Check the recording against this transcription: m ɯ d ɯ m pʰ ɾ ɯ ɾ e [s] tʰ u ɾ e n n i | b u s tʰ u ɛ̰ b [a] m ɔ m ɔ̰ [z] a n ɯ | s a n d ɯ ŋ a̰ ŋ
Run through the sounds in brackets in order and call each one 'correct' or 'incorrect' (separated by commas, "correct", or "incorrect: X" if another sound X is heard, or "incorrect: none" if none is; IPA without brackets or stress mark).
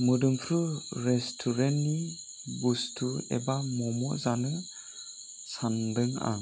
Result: correct, correct, correct